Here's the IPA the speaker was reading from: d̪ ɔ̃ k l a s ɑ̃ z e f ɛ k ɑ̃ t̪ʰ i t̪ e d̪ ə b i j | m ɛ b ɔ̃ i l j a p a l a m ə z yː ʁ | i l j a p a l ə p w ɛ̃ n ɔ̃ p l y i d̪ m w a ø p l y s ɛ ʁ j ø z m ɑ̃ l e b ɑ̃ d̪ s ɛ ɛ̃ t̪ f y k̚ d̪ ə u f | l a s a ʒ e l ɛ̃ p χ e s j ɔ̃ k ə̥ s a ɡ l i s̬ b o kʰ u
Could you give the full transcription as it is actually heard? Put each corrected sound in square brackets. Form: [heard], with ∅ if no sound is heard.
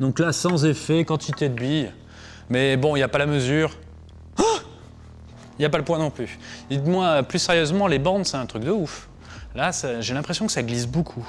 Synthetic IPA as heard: d̪ ɔ̃ k l a s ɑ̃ z e f ɛ k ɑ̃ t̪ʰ i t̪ e d̪ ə b i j | m ɛ b ɔ̃ i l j a p a l a m ə z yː ʁ | i l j a p a l ə p w ɛ̃ n ɔ̃ p l y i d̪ m w a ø p l y s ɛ ʁ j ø z m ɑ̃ l e b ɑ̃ d̪ s ɛ ɛ̃ t̪ [χ] y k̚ d̪ ə u f | l a s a ʒ e l ɛ̃ p χ e s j ɔ̃ k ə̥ s a ɡ l i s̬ b o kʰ u